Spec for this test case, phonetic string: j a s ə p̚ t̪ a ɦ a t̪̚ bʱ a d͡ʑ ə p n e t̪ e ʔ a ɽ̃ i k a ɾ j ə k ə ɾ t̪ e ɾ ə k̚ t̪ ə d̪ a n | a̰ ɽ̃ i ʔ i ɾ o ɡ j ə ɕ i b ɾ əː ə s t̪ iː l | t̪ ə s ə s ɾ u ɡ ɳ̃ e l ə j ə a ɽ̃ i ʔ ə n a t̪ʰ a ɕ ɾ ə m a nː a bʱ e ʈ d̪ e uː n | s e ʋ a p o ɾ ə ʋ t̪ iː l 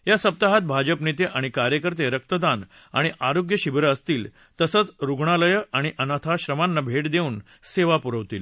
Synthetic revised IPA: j a s ə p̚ t̪ a ɦ a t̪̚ bʱ a d͡ʑ ə p n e t̪ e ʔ a ɽ̃ i k a ɾ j ə k ə ɾ t̪ e ɾ ə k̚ t̪ ə d̪ a n | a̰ ɽ̃ i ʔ a ɾ o ɡ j ə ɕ i b ɾ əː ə s t̪ iː l | t̪ ə s ə t͡s ɾ u ɡ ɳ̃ a l ə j ə a ɽ̃ i ʔ ə n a t̪ʰ a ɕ ɾ ə m a nː a bʱ e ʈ d̪ e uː n | s e ʋ a p u ɾ ə ʋ t̪ iː l